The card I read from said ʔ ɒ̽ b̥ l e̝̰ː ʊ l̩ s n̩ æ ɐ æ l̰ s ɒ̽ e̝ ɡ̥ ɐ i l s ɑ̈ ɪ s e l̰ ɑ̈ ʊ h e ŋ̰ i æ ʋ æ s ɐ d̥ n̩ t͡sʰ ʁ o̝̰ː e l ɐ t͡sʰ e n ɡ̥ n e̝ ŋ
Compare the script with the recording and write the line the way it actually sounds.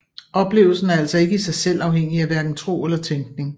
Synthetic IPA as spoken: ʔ ɒ̽ b̥ l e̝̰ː ʊ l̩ s n̩ æ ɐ æ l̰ s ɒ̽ e̝ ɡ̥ ə i s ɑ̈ ɪ s e l̰ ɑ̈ ʊ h e ŋ̰ i æ ʋ æ ɐ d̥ n̩ t͡sʰ ʁ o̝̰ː e l ɐ t͡sʰ e ŋ ɡ̥ n e̝ ŋ